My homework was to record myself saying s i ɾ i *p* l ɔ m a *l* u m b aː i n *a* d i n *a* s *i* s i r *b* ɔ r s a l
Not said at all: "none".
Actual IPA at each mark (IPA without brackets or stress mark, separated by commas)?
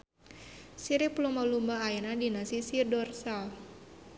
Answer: p, l, a, a, i, d